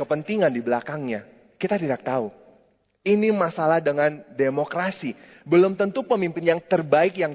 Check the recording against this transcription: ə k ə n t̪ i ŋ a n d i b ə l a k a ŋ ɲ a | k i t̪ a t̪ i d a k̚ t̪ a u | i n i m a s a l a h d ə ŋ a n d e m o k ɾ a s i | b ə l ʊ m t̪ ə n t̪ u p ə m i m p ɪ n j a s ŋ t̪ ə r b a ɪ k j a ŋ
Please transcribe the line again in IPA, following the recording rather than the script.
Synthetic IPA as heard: ə p ə n t̪ i ŋ a n d i b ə l a k a ŋ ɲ a | k i t̪ a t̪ i d a k̚ t̪ a u | i n i m a s a l a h d ə ŋ a n d e m o k ɾ a s i | b ə l ʊ m t̪ ə n t̪ u p ə m i m p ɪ n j a ŋ t̪ ə r b a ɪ k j a ŋ